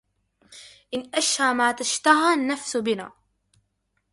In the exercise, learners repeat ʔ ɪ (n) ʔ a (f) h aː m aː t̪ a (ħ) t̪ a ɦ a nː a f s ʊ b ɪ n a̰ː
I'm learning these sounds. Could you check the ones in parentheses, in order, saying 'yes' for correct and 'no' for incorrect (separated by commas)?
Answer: yes, no, no